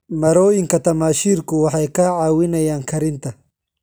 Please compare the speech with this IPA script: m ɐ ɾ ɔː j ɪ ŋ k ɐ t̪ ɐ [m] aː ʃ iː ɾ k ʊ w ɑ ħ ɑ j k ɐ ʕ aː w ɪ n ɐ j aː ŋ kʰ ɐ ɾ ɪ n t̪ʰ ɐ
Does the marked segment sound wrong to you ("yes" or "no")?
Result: no